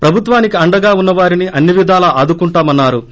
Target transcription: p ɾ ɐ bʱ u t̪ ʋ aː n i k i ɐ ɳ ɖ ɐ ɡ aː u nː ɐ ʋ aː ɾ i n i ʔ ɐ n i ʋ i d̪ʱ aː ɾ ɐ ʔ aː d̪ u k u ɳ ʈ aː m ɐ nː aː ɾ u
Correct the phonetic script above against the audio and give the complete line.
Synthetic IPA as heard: p ɾ ɐ bʱ u t̪ ʋ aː n i k i ɐ ɳ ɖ ɐ ɡ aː u nː ɐ ʋ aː ɾ i n i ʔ ɐ nː i ʋ i d̪ʱ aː l ɐ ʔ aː d̪ u k u ɳ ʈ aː m ɐ nː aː ɾ u